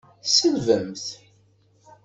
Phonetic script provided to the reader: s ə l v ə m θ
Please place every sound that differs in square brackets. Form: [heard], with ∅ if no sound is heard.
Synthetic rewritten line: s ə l v ə m θ